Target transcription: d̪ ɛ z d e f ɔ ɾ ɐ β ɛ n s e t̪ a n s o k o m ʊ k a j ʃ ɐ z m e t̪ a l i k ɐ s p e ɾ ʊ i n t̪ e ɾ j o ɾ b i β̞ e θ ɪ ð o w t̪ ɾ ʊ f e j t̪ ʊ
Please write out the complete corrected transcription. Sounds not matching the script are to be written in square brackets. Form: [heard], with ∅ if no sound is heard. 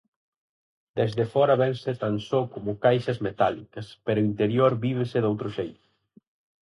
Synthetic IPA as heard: d̪ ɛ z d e f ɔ ɾ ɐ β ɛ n s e t̪ a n s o k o m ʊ k a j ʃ ɐ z m e t̪ a l i k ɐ s p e ɾ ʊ i n t̪ e ɾ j o ɾ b i β̞ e [s] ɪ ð o w t̪ ɾ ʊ [ʃ] e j t̪ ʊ